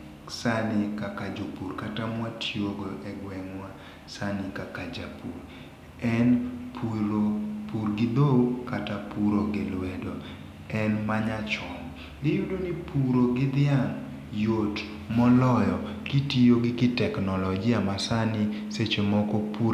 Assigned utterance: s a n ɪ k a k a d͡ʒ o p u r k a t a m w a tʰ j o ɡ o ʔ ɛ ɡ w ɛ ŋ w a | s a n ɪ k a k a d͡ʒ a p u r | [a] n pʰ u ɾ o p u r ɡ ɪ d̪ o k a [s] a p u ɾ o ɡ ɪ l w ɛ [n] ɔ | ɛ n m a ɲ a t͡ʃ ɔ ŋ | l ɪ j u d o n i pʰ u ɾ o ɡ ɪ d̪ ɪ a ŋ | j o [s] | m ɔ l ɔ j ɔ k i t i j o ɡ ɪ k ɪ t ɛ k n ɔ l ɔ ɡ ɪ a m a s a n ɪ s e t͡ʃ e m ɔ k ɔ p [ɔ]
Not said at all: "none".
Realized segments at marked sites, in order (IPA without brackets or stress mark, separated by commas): ɛ, t, d, t, u